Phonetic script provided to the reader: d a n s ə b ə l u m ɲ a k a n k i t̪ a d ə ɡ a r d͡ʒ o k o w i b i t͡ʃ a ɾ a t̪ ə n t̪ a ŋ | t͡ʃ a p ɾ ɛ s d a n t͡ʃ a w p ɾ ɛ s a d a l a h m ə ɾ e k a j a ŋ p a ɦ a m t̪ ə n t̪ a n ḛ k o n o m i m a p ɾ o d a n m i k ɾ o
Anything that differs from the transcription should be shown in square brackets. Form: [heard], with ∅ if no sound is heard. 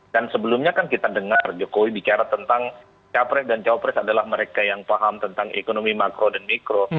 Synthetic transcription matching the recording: d a n s ə b ə l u m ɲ a k a n k i t̪ a d ə [ŋ] a r d͡ʒ o k o w i b i t͡ʃ a ɾ a t̪ ə n t̪ a ŋ | t͡ʃ a p ɾ ɛ s d a n t͡ʃ a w p ɾ ɛ s a d a l a h m ə ɾ e k a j a ŋ p a ɦ a m t̪ ə n t̪ a [ŋ] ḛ k o n o m i m a [k] ɾ o d a n m i k ɾ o

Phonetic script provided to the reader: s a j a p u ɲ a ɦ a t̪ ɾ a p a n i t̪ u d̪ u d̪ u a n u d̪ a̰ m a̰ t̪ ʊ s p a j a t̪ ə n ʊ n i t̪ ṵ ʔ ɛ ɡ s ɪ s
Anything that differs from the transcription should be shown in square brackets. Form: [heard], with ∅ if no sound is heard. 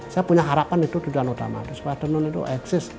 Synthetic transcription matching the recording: s a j a p u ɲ a ɦ a [∅] ɾ a p a n i t̪ u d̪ u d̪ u a n u [t̪] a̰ m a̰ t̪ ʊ s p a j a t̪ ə n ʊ n i t̪ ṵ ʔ ɛ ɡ s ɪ s

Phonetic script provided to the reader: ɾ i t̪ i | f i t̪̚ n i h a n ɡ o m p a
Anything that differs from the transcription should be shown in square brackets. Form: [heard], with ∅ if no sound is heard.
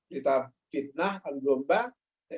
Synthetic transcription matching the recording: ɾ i t̪ [a] | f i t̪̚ n [a] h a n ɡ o m [b] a

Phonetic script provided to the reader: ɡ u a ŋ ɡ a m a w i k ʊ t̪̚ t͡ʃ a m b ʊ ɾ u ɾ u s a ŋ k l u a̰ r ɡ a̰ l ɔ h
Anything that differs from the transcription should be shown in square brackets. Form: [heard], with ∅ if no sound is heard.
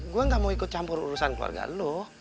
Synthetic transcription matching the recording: ɡ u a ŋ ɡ a m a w i k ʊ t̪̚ t͡ʃ a m [p] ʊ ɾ u ɾ u s a [n] k l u a̰ r ɡ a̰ l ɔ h

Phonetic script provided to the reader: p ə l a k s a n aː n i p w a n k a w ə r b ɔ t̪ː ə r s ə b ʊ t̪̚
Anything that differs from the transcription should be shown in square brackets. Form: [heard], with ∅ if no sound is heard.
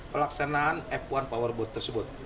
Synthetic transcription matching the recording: p ə l a k s a n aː n [ɛ] p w a n [p] a w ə r b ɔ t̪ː ə r s ə b ʊ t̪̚

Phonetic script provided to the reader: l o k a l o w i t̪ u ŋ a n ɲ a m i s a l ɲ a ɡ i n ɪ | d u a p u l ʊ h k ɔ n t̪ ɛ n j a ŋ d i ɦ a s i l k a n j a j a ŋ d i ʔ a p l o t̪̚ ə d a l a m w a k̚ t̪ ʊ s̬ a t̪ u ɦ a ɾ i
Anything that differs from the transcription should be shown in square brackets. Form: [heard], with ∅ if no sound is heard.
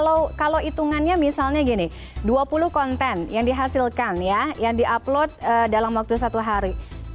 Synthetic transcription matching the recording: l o k a l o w i t̪ u ŋ a n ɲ a m i s a l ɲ a ɡ i n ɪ | d u a p u l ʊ h k ɔ n t̪ ɛ n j a ŋ d i ɦ a s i l k a n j a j a ŋ d i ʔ a p l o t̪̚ ə d a l a m w a k̚ t̪ [u] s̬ a t̪ u ɦ a ɾ i

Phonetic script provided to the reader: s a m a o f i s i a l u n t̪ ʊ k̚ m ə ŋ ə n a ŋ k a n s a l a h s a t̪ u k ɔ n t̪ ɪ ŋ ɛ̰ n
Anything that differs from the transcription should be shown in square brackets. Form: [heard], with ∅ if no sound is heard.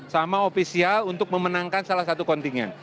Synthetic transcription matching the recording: s a m a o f i s i a l u n t̪ ʊ k̚ m ə [m] ə n a ŋ k a n s a l a h s a t̪ u k ɔ n t̪ [i] ŋ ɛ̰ n

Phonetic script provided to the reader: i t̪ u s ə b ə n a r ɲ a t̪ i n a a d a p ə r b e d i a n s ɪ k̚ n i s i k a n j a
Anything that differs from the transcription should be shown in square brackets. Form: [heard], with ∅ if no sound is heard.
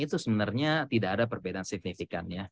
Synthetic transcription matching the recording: i t̪ u s ə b ə n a r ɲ a t̪ i [d] a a d a p ə r b e d [a] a n s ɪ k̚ n i [f] i k a n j a

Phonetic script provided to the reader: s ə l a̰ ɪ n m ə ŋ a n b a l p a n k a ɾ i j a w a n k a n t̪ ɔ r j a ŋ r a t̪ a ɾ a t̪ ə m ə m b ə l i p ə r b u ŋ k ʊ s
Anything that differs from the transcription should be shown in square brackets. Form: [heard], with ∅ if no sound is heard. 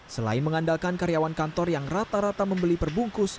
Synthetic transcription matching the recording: s ə l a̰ ɪ n m ə ŋ a n [d] a l [k] a n k a ɾ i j a w a n k a n t̪ ɔ r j a ŋ r a t̪ a ɾ a t̪ [a] m ə m b ə l i p ə r b u ŋ k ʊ s

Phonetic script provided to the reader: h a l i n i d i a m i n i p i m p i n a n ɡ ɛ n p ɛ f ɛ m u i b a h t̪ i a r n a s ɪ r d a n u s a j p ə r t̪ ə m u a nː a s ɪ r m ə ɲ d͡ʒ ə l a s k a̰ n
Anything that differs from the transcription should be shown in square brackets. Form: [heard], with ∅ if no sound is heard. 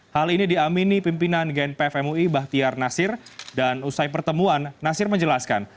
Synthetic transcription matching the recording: h a l i n i d i a m i n i p i m p i n a n ɡ ɛ n p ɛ f ɛ m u i b a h t̪ i a r n a s ɪ r d a n u s a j p ə r t̪ ə m u a nː a s ɪ r m ə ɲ d͡ʒ ə l a s k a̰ n

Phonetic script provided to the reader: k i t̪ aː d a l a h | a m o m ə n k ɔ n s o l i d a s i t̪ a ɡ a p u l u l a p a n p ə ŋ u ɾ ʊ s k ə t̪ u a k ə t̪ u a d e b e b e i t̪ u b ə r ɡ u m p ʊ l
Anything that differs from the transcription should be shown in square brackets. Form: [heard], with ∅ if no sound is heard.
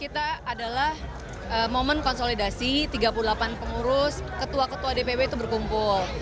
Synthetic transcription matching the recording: k i t̪ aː d a l a h | [ə] m o m ə n k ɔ n s o l i d a s i t̪ [i] ɡ a p u l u l a p a n p ə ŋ u ɾ ʊ s k ə t̪ u a k ə t̪ u a d e [p] e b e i t̪ u b ə r [k] u m p ʊ l

